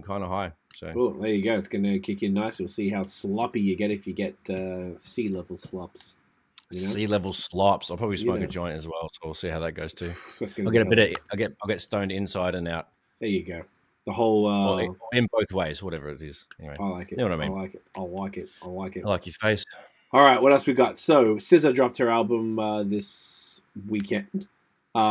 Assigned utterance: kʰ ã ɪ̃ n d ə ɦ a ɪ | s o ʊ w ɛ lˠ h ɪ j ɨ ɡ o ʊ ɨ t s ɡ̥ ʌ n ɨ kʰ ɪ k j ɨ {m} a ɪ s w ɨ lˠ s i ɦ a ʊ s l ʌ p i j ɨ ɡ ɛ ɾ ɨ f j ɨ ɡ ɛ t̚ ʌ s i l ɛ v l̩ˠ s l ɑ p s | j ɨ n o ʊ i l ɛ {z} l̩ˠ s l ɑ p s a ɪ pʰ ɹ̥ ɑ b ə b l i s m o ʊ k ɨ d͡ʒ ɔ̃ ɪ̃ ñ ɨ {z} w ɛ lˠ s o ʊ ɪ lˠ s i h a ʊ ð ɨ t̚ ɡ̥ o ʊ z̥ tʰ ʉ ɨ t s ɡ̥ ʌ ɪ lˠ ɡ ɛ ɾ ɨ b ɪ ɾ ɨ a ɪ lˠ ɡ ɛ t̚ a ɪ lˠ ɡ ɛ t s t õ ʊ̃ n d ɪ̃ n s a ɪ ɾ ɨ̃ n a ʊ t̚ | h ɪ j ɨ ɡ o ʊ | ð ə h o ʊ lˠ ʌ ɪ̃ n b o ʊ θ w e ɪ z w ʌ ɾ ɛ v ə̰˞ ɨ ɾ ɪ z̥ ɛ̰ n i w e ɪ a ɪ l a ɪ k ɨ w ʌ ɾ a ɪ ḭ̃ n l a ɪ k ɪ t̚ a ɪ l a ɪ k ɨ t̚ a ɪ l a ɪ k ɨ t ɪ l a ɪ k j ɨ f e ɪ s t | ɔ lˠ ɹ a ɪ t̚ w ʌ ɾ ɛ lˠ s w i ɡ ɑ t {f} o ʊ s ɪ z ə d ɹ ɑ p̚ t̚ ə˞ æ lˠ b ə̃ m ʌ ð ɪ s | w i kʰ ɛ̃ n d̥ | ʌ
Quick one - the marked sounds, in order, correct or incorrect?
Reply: incorrect, incorrect, correct, incorrect

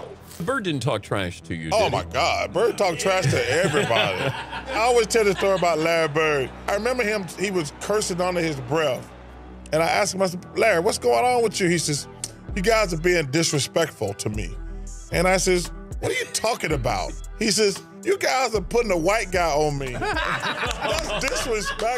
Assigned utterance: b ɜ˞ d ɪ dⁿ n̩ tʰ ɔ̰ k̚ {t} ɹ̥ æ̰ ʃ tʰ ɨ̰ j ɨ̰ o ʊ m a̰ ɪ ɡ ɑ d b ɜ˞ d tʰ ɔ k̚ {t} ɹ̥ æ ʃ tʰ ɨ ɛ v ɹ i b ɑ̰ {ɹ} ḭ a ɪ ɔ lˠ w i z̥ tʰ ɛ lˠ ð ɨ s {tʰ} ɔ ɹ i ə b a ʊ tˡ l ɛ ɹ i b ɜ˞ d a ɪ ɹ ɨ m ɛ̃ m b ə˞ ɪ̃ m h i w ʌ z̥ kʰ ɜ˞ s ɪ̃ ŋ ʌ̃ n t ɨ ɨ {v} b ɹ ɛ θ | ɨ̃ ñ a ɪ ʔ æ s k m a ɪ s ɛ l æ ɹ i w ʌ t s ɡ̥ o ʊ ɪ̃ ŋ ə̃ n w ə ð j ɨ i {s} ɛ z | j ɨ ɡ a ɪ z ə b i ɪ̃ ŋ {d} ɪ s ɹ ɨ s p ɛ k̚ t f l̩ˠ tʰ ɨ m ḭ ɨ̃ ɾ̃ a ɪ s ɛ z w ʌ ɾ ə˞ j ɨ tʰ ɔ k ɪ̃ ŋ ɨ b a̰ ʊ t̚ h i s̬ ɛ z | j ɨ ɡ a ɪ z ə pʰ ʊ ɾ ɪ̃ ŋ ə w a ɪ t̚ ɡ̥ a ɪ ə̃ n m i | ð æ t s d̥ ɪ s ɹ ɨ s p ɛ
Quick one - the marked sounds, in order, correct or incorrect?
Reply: incorrect, incorrect, incorrect, incorrect, incorrect, correct, correct

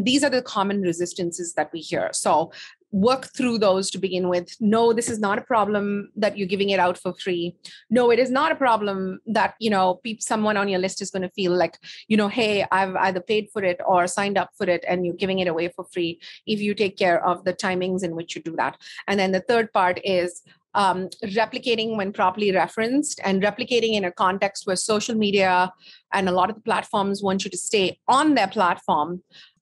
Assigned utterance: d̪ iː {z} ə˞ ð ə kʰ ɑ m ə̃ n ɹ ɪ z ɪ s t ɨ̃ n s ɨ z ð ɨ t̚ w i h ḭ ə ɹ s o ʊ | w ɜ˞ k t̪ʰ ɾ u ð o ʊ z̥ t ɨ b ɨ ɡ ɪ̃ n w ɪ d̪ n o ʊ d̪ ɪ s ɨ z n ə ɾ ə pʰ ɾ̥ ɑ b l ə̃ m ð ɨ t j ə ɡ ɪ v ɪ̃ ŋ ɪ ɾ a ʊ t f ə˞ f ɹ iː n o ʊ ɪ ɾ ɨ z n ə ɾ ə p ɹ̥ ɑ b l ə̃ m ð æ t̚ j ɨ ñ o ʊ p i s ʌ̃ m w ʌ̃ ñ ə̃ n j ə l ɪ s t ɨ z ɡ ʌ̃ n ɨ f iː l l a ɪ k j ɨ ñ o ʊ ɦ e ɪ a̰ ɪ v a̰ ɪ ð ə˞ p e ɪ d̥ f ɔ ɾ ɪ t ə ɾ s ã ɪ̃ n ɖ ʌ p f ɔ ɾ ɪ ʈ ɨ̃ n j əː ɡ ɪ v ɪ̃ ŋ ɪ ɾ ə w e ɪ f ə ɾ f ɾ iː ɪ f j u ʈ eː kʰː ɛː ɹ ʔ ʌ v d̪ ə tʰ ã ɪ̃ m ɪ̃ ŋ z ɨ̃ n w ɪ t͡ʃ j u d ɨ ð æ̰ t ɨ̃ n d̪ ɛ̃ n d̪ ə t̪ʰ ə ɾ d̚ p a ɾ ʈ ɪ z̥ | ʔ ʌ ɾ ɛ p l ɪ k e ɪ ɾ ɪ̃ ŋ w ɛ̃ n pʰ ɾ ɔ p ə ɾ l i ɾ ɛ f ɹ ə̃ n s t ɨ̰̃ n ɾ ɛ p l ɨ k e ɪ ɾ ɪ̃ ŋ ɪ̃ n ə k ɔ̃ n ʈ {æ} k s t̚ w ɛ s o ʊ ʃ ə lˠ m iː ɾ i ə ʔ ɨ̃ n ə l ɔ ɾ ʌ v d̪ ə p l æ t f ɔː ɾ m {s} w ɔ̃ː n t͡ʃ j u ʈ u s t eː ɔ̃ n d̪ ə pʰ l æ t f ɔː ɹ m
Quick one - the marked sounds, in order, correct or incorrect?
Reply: correct, incorrect, incorrect

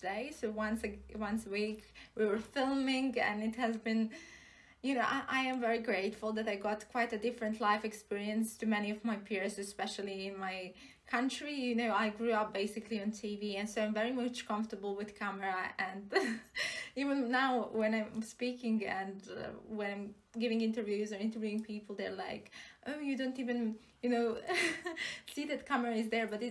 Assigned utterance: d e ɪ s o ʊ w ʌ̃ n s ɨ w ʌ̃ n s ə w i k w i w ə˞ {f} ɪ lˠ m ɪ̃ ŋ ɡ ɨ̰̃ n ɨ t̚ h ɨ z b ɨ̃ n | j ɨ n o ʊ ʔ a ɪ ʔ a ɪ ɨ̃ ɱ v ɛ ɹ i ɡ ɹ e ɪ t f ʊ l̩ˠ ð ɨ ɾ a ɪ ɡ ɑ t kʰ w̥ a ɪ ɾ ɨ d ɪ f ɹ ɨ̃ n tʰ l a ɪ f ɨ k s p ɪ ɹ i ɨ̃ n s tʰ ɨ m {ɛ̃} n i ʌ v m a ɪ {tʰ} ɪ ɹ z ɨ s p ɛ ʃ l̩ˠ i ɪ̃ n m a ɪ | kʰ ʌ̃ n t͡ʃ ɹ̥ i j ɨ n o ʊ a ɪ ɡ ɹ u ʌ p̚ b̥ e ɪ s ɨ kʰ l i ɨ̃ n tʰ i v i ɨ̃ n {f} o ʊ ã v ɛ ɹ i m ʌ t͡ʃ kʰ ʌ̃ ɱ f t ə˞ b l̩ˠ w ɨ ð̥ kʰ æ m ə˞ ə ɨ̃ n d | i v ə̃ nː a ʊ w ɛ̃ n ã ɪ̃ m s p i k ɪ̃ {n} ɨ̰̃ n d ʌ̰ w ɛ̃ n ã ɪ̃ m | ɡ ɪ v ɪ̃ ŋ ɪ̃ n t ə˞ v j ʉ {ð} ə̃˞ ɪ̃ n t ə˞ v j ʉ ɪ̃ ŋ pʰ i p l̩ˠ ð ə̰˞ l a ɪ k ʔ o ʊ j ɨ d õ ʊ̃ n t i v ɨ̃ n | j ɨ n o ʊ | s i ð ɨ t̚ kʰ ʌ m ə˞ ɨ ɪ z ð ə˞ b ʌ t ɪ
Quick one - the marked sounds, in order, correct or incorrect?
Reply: correct, incorrect, incorrect, incorrect, incorrect, incorrect

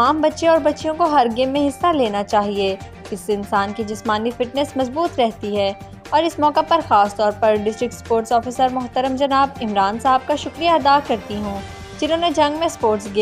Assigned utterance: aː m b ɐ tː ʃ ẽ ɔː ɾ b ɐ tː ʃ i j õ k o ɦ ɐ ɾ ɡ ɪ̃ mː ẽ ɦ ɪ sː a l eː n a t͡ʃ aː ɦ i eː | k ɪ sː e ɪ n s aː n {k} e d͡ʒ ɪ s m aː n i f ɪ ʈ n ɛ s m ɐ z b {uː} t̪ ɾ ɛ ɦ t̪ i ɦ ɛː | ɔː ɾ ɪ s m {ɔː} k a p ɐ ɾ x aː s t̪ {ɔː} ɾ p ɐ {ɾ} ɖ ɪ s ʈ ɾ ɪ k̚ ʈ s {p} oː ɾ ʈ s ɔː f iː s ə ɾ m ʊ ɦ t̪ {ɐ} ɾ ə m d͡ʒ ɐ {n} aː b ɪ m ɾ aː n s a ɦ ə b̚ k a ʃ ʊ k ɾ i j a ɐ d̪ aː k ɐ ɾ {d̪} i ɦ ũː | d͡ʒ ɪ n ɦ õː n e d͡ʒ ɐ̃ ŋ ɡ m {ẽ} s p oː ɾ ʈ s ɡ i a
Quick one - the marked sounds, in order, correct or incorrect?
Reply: correct, correct, correct, correct, correct, correct, incorrect, correct, incorrect, correct

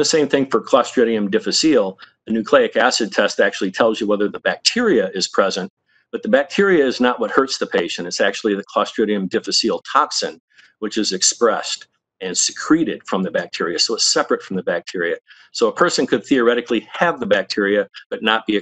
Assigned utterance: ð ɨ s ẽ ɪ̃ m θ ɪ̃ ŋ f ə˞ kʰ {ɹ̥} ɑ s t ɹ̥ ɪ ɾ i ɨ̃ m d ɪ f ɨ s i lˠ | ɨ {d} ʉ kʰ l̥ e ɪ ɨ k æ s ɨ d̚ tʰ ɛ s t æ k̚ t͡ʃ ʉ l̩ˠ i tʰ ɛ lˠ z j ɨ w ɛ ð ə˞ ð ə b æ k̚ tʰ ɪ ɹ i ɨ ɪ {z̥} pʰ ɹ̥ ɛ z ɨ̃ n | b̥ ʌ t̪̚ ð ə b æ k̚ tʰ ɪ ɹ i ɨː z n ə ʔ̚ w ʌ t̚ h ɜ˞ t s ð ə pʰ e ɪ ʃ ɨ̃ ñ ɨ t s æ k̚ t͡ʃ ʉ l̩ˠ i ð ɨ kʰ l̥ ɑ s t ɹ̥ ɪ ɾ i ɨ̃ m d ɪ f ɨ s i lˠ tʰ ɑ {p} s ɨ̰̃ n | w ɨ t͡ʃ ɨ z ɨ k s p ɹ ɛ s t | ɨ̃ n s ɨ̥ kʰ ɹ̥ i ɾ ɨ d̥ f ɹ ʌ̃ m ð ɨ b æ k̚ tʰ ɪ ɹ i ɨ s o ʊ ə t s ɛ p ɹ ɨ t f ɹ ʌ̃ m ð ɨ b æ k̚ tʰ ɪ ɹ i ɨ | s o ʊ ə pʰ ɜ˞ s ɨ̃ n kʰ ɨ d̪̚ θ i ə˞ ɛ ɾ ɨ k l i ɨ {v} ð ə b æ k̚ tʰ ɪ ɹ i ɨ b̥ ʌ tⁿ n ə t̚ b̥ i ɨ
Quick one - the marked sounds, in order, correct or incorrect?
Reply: incorrect, incorrect, correct, incorrect, correct

